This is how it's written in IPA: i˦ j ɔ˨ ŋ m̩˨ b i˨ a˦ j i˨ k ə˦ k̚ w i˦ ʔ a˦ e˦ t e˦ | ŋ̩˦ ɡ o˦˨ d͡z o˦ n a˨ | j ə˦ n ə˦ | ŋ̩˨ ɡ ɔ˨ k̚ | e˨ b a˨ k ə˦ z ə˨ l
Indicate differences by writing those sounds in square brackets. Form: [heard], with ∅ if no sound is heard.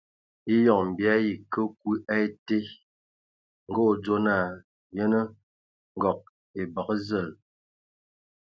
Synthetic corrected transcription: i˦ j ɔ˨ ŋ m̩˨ b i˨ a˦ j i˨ k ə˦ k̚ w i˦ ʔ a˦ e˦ t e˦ | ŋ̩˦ ɡ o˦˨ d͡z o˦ n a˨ | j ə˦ n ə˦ | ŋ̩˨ ɡ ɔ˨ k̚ | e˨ b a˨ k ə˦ z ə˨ l